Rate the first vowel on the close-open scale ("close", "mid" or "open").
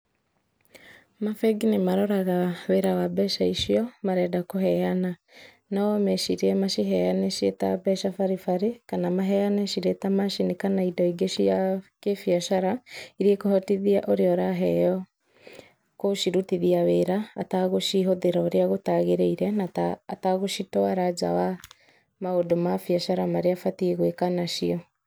open